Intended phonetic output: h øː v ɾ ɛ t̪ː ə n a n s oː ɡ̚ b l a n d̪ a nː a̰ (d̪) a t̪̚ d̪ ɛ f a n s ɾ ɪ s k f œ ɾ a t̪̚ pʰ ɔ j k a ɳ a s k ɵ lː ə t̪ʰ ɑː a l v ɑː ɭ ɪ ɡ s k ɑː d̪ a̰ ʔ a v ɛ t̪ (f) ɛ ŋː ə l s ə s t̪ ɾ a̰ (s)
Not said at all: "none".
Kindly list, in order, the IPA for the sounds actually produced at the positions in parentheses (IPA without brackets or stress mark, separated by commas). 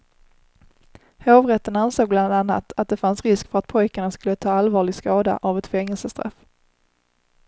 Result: t̪, f, f